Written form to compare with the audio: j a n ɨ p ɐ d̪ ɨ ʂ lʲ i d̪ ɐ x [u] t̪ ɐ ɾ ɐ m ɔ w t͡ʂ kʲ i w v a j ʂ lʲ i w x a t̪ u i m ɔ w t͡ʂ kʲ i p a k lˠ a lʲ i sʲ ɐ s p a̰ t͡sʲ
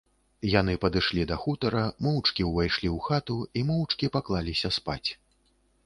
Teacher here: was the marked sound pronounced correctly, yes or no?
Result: yes